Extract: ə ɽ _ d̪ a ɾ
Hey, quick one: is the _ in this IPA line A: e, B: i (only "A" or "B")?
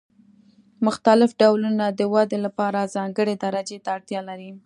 A